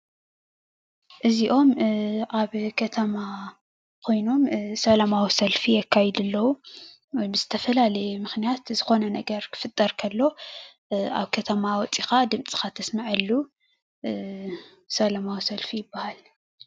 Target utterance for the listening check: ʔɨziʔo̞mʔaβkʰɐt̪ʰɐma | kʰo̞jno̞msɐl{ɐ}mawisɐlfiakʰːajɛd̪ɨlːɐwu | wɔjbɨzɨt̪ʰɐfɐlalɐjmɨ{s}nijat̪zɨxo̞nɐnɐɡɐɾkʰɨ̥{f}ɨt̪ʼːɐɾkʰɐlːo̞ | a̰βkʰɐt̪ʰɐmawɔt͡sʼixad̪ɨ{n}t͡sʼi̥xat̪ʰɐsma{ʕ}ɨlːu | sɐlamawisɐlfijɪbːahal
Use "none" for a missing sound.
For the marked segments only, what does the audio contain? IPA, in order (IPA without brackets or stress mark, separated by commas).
a, x, f, m, ʕ